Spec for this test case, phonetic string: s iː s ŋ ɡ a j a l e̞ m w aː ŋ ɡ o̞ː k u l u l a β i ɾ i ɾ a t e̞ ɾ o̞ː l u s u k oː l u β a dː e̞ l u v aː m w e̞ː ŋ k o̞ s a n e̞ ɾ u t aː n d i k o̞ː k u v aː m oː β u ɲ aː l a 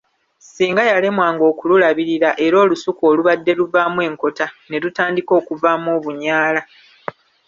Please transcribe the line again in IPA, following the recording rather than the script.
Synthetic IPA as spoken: s iː ŋ ɡ a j a l e̞ m w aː ŋ ɡ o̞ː k u l u l a β i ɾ i ɾ a ʔ e̞ ɾ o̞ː l u s u k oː l u β a dː e̞ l u v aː m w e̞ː ŋ k o̞ t a n e̞ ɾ u t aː n d i k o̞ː k u v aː m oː β u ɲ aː l a